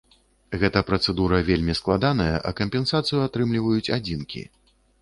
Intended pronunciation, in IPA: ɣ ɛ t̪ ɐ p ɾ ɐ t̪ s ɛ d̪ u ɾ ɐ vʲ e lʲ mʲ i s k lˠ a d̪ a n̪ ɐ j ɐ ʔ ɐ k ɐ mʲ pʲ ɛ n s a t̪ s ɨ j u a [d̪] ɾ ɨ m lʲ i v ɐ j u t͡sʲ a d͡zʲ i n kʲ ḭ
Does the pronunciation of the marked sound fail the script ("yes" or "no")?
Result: yes